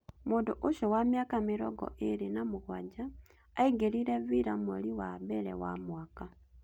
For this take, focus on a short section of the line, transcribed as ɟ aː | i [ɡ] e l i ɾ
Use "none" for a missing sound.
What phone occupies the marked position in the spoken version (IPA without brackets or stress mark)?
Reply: ɡ